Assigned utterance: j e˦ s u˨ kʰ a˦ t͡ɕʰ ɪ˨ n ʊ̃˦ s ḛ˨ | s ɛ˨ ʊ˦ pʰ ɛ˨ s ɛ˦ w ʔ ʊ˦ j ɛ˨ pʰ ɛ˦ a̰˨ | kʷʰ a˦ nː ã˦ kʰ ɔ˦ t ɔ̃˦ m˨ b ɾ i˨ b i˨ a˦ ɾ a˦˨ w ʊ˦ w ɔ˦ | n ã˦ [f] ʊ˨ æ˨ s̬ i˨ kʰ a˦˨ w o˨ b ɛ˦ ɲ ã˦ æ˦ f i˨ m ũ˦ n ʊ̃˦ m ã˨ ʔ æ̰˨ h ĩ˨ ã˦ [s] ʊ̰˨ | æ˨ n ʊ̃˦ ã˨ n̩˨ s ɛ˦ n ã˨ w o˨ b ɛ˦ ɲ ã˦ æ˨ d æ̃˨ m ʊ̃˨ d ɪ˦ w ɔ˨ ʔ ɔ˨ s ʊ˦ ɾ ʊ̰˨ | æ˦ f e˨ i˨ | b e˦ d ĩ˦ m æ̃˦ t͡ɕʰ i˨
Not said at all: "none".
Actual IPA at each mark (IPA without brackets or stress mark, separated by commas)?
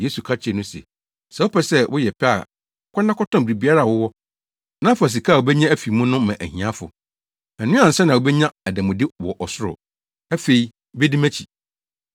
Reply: f, f